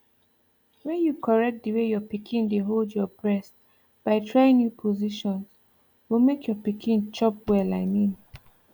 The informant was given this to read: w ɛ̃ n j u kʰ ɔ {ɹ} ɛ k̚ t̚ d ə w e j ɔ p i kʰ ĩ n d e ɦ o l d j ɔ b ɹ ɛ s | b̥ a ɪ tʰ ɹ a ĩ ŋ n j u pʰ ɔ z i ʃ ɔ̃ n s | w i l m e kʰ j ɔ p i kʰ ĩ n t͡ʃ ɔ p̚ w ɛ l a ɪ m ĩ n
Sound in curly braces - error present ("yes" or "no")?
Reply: no